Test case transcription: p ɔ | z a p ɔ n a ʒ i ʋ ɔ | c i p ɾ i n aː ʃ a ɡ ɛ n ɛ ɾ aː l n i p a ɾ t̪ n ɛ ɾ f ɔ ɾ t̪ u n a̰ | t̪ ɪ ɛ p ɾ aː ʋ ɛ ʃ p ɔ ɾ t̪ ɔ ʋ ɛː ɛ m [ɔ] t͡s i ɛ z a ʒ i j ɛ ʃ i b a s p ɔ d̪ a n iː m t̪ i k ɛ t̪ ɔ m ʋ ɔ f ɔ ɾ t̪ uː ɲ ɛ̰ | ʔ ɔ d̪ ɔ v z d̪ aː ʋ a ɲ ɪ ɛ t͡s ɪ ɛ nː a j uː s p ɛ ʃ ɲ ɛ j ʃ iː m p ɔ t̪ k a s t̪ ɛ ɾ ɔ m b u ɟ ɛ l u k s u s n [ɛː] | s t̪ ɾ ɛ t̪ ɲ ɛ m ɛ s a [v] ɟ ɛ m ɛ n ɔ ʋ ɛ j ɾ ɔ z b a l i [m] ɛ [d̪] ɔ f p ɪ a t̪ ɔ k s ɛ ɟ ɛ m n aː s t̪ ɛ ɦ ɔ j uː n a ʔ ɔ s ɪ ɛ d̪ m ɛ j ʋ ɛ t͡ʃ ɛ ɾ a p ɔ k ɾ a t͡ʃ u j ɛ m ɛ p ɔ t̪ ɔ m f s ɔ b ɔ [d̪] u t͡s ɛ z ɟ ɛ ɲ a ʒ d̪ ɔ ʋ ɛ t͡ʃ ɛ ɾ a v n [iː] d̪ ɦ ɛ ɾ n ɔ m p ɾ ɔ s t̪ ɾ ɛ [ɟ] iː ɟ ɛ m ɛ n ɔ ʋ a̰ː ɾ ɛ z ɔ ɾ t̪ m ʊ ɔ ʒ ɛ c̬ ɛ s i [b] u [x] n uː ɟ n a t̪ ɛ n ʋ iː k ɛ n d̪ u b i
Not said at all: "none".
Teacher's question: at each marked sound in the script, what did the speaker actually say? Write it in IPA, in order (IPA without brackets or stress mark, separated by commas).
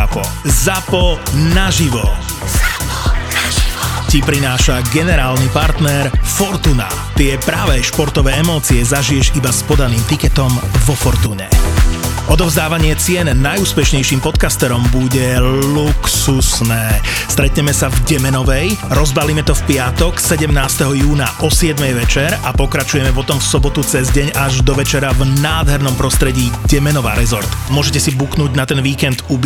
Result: ɔː, ɛː, v, m, t̪, t̪, aː, ɟ, b, k